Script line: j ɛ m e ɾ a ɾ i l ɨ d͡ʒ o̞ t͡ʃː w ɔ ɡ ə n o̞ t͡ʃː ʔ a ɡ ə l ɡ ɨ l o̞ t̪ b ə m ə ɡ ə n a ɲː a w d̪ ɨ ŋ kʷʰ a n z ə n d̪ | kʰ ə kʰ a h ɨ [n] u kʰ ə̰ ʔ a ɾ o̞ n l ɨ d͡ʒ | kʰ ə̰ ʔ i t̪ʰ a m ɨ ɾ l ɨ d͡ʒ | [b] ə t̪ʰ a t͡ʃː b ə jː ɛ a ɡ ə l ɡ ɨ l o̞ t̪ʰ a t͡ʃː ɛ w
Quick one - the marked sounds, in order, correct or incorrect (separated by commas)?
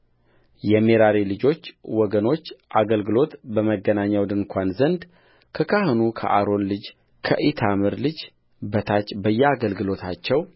correct, correct